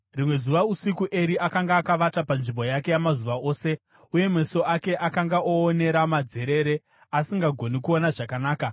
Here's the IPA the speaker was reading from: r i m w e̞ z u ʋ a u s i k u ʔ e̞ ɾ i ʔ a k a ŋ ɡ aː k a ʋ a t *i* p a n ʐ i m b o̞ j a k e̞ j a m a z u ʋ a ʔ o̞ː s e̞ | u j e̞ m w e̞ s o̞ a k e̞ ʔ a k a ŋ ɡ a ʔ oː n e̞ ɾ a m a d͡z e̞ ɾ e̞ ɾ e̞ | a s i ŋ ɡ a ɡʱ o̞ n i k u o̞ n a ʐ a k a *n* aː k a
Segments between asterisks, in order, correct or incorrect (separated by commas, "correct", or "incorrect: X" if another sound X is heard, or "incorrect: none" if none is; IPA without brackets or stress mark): incorrect: a, correct